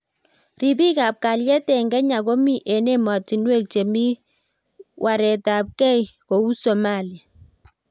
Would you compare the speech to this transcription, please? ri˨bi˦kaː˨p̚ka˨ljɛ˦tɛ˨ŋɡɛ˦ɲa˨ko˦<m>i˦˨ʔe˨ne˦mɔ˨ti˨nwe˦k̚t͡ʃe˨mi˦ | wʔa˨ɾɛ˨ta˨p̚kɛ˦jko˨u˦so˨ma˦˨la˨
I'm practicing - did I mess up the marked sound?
no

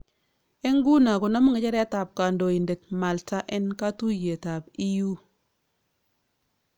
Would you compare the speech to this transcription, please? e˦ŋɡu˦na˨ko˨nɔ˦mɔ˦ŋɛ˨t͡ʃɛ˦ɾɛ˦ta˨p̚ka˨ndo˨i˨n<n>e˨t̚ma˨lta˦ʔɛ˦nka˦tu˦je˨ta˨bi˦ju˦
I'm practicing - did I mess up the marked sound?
yes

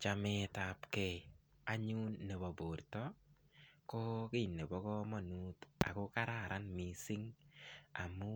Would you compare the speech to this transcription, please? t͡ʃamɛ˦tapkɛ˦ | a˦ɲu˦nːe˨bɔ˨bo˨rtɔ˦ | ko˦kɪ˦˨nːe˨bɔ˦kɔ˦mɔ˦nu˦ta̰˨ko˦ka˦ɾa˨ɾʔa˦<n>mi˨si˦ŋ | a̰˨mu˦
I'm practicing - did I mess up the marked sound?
no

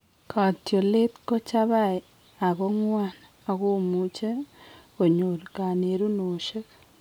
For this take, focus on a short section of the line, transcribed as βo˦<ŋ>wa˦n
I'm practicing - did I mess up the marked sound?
no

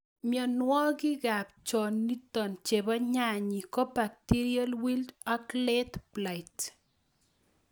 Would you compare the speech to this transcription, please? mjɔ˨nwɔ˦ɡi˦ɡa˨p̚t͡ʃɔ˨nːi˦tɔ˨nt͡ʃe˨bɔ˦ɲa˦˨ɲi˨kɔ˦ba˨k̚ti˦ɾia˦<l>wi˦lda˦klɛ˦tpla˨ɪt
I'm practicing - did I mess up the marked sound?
no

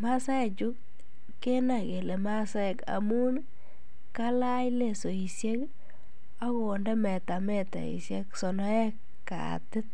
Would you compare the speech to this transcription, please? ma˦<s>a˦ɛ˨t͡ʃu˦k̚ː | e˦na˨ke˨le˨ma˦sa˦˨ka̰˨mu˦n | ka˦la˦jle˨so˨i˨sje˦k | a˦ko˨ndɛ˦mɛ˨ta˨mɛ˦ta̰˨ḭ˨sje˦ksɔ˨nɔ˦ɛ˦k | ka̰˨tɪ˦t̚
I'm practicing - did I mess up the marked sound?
no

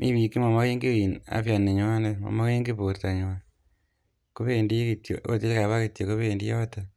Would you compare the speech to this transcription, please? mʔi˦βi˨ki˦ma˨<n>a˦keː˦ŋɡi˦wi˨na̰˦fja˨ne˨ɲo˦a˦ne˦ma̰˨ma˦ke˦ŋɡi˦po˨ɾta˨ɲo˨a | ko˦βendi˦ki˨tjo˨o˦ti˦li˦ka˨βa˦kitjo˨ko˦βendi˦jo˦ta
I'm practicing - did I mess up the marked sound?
yes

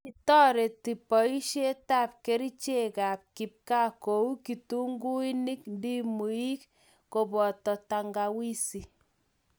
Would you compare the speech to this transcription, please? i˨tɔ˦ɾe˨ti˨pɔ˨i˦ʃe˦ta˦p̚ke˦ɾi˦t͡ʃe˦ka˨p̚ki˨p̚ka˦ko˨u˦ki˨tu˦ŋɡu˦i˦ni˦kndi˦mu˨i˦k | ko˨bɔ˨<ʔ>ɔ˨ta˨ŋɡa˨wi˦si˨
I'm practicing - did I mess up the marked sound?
yes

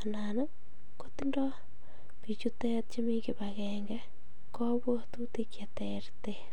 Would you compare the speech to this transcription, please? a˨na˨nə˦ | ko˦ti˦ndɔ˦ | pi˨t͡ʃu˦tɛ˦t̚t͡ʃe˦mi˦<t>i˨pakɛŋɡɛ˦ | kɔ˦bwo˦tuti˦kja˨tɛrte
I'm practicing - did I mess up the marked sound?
yes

